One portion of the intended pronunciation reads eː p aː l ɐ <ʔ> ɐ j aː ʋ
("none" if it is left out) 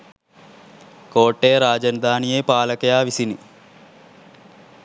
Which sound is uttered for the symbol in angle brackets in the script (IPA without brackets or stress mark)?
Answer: k